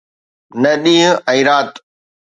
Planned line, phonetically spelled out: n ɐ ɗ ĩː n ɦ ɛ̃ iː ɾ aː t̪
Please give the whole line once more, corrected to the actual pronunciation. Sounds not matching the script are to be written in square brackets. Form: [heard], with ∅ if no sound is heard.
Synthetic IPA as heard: n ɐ ɗ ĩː [∅] ɦ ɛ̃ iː ɾ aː t̪